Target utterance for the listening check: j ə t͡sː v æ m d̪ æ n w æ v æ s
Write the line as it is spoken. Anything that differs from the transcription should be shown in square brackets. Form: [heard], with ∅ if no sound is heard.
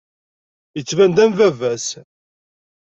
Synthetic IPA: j ə t͡sː v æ [n] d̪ æ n [v] æ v æ s